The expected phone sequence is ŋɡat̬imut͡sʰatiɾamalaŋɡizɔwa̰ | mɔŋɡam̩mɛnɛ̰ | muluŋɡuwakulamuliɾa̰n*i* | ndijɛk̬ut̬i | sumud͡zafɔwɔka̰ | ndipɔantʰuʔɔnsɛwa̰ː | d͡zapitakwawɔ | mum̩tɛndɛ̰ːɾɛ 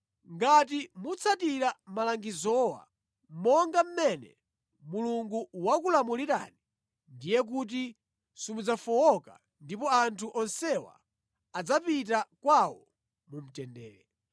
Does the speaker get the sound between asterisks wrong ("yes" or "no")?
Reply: no